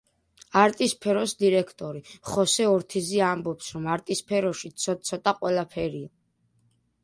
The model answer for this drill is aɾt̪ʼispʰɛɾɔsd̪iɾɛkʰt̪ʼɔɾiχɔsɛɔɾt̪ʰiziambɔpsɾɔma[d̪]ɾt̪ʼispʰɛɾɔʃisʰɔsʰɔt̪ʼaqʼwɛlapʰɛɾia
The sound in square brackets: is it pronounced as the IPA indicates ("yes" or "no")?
no